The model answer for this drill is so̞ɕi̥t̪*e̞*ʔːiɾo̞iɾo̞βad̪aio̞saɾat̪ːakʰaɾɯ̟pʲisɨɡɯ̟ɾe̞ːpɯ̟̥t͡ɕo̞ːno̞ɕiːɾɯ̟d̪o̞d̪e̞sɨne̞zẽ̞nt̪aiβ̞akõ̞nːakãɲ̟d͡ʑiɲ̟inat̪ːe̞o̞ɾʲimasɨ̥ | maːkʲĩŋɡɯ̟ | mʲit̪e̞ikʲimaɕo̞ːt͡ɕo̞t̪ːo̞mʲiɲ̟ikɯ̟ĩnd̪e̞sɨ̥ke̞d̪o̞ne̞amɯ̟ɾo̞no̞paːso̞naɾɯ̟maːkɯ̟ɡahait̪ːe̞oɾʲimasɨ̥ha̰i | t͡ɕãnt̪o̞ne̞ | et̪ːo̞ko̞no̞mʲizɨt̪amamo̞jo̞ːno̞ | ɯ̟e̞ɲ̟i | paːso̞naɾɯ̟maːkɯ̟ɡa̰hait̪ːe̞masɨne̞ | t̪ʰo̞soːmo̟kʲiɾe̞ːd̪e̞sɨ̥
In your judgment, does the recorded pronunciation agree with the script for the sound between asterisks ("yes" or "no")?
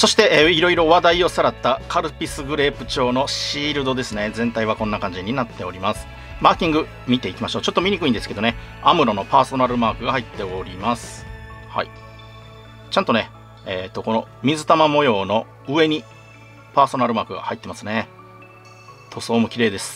yes